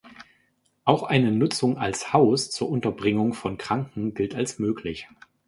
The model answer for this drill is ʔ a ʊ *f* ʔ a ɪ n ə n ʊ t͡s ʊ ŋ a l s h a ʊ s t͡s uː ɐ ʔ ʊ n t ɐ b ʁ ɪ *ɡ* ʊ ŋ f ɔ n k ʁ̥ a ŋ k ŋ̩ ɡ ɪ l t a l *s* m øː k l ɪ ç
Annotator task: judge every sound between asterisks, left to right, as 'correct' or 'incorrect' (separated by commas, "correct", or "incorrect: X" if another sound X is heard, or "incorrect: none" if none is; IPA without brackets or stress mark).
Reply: incorrect: x, incorrect: ŋ, correct